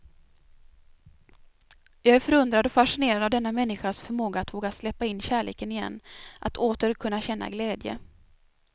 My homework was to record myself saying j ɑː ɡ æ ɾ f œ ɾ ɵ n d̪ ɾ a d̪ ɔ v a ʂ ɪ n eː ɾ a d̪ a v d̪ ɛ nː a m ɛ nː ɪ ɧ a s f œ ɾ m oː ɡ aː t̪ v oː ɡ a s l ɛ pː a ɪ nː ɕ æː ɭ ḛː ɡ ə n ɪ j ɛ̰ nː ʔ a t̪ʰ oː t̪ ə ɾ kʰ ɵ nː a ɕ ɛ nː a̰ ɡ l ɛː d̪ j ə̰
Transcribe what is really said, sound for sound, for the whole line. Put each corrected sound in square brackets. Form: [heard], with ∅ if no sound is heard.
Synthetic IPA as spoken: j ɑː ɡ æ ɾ f œ ɾ ɵ n d̪ ɾ a d̪ ɔ [f] a ʂ ɪ n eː ɾ a d̪ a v d̪ ɛ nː a m ɛ nː ɪ ɧ a s f œ ɾ m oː ɡ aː t̪ v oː ɡ a s l ɛ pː a ɪ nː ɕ æː ɭ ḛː [k] ə n ɪ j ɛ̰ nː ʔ a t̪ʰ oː t̪ ə ɾ kʰ ɵ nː a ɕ ɛ nː a̰ ɡ l ɛː d̪ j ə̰